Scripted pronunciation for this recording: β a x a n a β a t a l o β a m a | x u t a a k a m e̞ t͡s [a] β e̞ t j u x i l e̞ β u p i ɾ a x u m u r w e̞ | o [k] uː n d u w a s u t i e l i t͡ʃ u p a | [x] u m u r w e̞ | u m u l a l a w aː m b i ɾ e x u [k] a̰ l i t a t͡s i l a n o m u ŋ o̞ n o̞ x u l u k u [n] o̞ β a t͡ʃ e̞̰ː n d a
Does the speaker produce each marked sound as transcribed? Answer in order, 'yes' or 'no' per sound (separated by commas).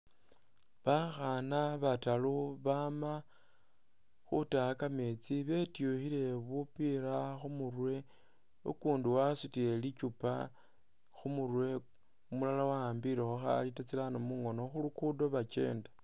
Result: no, yes, yes, no, no